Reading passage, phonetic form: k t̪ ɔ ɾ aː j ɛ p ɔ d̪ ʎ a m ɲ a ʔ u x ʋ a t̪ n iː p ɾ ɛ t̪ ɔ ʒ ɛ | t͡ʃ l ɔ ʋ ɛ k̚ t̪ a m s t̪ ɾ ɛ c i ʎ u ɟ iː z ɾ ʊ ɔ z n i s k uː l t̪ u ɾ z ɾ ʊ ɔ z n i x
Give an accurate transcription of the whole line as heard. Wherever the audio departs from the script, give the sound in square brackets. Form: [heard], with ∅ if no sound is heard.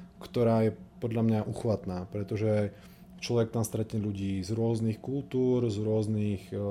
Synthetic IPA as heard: k t̪ ɔ ɾ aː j ɛ p ɔ d̪ ʎ a m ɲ a ʔ u x ʋ a t̪ n [aː] p ɾ ɛ t̪ ɔ ʒ ɛ | t͡ʃ l ɔ ʋ ɛ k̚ t̪ a m s t̪ ɾ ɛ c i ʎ u ɟ iː z ɾ ʊ ɔ z n i [x] k [u] l t̪ [uː] ɾ z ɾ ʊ ɔ z n i x